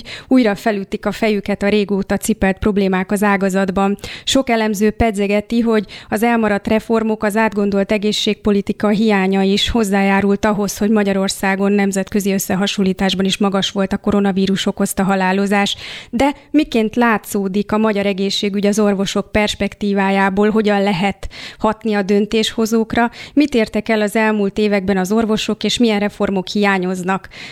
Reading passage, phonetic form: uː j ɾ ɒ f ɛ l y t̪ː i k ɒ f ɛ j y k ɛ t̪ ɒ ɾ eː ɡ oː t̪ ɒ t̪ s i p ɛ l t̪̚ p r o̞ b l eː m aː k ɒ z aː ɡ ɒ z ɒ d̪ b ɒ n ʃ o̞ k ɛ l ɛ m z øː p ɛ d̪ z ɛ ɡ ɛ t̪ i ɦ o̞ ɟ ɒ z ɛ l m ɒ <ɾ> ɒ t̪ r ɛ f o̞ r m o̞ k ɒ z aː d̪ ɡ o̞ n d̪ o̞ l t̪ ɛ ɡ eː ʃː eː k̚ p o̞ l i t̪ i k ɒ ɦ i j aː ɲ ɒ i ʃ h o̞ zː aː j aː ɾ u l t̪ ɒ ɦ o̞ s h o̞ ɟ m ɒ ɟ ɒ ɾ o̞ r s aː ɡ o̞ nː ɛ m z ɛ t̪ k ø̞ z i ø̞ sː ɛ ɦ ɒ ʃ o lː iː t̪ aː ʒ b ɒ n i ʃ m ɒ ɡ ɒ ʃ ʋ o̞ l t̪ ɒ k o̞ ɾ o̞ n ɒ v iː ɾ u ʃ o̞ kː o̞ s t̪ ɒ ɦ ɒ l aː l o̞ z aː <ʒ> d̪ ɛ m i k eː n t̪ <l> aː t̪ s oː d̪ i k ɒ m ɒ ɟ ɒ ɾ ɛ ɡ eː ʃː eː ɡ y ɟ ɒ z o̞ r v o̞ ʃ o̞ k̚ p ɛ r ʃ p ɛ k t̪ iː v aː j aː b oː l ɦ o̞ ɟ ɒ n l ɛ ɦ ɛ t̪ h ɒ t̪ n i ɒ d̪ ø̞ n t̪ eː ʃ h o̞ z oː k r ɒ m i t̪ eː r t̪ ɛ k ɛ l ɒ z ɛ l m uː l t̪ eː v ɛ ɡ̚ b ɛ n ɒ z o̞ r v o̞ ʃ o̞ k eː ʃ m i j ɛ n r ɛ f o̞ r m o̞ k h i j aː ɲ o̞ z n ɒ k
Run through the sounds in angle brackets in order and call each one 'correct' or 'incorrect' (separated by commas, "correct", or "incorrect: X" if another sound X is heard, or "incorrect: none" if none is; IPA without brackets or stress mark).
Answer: correct, incorrect: ʃ, correct